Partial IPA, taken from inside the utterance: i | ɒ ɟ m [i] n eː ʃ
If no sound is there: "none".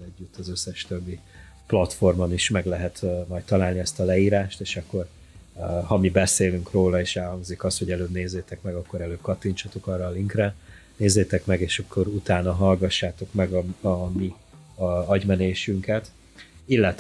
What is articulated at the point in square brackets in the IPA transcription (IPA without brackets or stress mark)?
ɛ